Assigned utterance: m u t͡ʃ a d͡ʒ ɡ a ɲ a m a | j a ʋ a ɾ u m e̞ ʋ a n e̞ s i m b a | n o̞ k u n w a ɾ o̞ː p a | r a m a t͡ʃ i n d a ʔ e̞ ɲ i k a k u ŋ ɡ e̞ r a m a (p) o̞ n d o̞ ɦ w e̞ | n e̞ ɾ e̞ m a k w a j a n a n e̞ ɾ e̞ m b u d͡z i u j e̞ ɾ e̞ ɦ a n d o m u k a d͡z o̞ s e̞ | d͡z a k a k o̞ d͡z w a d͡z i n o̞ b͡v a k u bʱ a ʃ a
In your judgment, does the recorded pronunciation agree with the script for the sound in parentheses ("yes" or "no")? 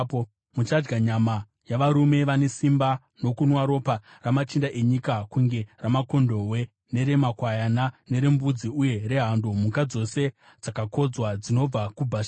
no